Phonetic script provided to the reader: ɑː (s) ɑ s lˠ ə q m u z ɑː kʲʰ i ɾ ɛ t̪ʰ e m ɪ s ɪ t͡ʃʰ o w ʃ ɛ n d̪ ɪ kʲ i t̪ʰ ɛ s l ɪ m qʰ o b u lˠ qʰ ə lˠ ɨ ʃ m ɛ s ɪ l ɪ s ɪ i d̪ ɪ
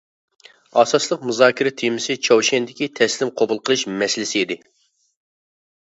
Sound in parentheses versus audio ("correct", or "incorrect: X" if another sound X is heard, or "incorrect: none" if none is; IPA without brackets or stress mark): correct